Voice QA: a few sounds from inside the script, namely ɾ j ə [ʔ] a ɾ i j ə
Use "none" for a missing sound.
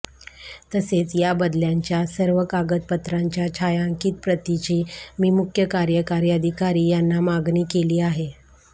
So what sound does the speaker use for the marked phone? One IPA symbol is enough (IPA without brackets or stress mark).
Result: k